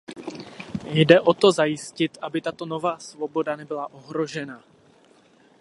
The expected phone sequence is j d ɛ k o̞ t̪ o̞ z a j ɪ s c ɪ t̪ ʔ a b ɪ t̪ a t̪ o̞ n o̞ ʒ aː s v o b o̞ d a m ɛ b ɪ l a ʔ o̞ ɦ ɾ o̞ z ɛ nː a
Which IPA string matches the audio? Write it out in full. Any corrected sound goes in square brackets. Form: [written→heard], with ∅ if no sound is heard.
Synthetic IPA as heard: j d ɛ [k→ʔ] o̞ t̪ o̞ z a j ɪ s c ɪ t̪ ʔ a b ɪ t̪ a t̪ o̞ n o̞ [ʒ→v] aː s v o b o̞ d a [m→n] ɛ b ɪ l a ʔ o̞ ɦ ɾ o̞ [z→ʒ] ɛ [nː→n] a

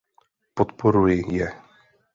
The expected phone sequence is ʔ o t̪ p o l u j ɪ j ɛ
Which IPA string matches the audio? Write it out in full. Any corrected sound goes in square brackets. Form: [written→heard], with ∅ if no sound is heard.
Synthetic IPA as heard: [ʔ→p] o t̪ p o [l→ɾ] u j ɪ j ɛ

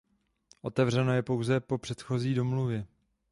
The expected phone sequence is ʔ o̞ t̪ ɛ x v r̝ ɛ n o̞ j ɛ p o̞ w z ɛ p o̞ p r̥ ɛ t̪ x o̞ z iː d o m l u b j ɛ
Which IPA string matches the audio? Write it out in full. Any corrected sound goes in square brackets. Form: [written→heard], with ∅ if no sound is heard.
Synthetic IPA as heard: ʔ o̞ t̪ ɛ [x→∅] v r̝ ɛ n o̞ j ɛ p o̞ w z ɛ p o̞ p r̥ ɛ t̪ x o̞ z iː d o m l u [b→v] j ɛ

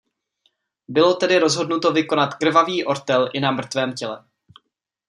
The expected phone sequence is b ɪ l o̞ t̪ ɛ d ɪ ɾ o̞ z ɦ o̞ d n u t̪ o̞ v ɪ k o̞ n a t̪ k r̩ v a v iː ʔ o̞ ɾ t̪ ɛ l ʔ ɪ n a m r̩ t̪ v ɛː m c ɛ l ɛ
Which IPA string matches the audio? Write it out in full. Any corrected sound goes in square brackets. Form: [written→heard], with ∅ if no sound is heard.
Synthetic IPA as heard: b ɪ l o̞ t̪ ɛ d ɪ ɾ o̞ z ɦ o̞ d n u t̪ o̞ v ɪ k o̞ n a t̪ k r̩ v a v iː ʔ o̞ ɾ t̪ ɛ l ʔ ɪ n a m r̩ t̪ v ɛː m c ɛ l ɛ

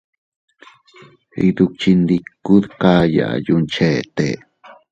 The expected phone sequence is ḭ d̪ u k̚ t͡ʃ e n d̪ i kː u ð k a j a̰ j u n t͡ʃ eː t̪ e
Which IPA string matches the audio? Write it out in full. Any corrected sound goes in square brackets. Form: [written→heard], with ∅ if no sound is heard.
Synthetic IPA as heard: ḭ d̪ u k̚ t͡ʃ [e→i] n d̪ i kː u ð k a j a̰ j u n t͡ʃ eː t̪ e

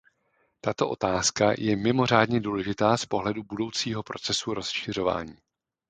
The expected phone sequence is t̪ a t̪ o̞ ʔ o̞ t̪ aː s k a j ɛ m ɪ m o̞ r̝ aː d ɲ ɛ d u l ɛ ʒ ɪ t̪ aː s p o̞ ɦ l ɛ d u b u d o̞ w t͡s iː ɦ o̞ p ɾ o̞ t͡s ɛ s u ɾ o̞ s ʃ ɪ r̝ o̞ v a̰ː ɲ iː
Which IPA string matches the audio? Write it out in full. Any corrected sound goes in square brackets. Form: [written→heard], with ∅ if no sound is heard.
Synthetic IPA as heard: t̪ a t̪ o̞ ʔ o̞ t̪ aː s k a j ɛ m ɪ m o̞ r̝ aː d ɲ ɛ d [u→uː] l ɛ ʒ ɪ t̪ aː s p o̞ ɦ l ɛ d u b u d o̞ w t͡s iː ɦ o̞ p ɾ o̞ t͡s ɛ s u ɾ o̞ s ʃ ɪ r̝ o̞ v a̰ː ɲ iː

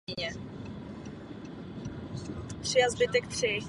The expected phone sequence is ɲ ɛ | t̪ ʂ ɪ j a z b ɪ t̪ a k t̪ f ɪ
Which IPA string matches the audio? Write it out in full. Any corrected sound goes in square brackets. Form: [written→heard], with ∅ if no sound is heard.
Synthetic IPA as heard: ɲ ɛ | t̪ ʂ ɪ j a z b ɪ t̪ [a→ɛ] k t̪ [f→ʂ] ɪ

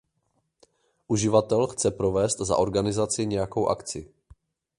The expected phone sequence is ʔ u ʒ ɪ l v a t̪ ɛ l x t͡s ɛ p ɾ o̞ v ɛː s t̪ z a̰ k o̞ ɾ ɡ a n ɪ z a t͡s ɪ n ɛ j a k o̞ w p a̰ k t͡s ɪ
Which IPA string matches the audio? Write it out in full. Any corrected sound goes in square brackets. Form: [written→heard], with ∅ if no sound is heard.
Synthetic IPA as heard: ʔ u ʒ ɪ [l→∅] v a t̪ ɛ l x t͡s ɛ p ɾ o̞ v ɛː s t̪ z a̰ [k→ʔ] o̞ ɾ ɡ a n ɪ z a t͡s ɪ [n→ɲ] ɛ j a k o̞ w [p→ʔ] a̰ k t͡s ɪ

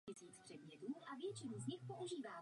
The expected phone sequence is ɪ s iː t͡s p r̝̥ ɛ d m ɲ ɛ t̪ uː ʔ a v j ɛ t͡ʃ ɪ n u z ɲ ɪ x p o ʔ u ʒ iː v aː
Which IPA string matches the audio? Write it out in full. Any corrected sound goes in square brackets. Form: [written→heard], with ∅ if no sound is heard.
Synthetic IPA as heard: ɪ s iː t͡s p r̝̥ ɛ d m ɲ ɛ t̪ uː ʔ a v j ɛ t͡ʃ ɪ n u z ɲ ɪ x p o ʔ u ʒ iː v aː

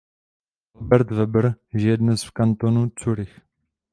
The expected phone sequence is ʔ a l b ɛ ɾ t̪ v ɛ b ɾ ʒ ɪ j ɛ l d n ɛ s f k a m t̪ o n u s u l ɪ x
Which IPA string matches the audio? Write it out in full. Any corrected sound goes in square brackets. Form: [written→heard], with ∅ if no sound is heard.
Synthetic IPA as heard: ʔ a l b ɛ ɾ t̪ v ɛ b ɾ ʒ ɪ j ɛ [l→∅] d n ɛ s f k a [m→n] t̪ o n u [s→t͡s] u [l→ɾ] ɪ x

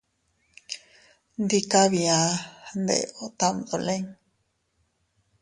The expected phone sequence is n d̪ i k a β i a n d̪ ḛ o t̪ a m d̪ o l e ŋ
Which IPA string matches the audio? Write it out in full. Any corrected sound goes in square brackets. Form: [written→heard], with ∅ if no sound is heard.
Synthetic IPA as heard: n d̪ i k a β i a n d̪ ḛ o t̪ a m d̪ o l e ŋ

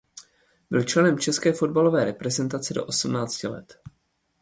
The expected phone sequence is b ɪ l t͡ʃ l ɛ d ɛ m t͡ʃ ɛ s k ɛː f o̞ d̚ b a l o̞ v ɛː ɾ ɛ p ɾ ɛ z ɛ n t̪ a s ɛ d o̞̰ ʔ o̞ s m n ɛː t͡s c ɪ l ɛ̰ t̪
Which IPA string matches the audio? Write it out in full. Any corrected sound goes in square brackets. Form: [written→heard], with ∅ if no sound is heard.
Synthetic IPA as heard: b ɪ l t͡ʃ l ɛ [d→n] ɛ m t͡ʃ ɛ s k ɛː f o̞ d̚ b a l o̞ v ɛː ɾ ɛ p ɾ ɛ z ɛ n t̪ a [s→t͡s] ɛ d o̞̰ ʔ o̞ s m n [ɛː→aː] t͡s c ɪ l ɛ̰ t̪

